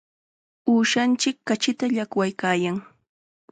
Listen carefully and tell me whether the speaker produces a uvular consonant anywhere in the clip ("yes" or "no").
no